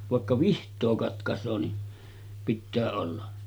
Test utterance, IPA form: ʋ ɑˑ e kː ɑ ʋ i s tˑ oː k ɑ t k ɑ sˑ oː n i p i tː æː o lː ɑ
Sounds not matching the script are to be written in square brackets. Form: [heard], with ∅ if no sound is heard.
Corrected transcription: ʋ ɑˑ e kː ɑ ʋ i [h] tˑ oː k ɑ t k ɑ sˑ oː n i p i tː æː o lː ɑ